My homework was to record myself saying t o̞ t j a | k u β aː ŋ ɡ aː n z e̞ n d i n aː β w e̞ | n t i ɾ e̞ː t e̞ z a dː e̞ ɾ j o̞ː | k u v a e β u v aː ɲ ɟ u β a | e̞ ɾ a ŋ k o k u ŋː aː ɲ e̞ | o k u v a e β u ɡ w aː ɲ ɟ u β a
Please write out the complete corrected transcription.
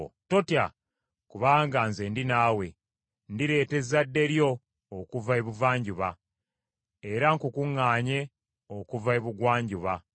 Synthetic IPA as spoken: t o̞ t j a | k u β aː ŋ ɡ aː n z e̞ n d i n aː w e̞ | n d i ɾ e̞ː t e̞ z a dː e̞ ɾ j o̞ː | k u v a e β u v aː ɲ ɟ u β a | e̞ ɾ a ŋ k u k u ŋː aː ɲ e̞ | o k u v a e β u ɡ w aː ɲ ɟ u β a